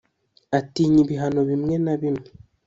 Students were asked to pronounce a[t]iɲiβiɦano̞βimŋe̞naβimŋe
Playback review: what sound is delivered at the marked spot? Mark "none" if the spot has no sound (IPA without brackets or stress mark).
t